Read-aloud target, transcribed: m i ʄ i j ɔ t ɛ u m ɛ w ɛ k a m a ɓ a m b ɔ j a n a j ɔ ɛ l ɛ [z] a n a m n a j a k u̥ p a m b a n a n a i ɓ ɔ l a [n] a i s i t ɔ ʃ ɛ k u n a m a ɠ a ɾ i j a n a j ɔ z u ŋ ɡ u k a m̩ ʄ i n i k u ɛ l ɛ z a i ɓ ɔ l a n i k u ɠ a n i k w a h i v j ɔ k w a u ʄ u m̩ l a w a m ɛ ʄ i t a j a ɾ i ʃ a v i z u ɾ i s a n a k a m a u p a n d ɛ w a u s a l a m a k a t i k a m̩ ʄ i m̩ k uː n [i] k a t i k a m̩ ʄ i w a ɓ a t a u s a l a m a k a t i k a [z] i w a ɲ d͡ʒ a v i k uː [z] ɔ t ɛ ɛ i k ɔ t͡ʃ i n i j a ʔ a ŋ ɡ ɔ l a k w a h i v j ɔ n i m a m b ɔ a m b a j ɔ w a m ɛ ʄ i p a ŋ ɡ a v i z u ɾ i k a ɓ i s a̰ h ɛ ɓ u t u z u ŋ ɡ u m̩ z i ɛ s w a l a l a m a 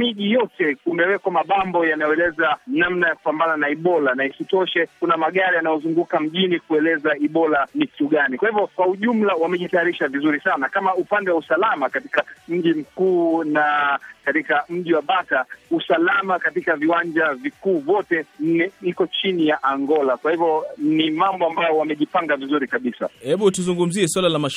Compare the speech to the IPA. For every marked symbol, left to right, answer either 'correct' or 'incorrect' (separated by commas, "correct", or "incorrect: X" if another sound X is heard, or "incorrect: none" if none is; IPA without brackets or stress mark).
correct, correct, incorrect: a, incorrect: v, incorrect: v